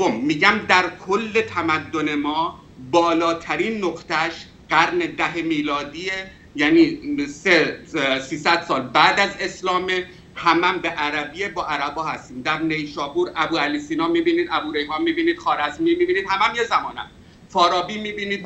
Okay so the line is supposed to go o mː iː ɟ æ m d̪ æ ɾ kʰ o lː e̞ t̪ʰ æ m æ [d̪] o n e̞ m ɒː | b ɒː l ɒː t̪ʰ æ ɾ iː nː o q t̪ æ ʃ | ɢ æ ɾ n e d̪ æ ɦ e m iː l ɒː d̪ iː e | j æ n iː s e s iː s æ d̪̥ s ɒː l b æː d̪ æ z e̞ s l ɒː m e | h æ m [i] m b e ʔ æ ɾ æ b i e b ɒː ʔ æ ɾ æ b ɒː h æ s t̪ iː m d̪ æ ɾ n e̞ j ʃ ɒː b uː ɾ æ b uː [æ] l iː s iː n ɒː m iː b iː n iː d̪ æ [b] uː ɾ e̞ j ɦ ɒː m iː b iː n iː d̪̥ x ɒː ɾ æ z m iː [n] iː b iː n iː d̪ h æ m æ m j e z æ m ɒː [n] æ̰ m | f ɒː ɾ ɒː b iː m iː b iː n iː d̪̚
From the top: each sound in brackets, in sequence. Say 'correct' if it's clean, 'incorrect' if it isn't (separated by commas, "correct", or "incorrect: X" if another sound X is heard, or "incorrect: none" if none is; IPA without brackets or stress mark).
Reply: incorrect: d̪ː, incorrect: æ, correct, correct, incorrect: m, correct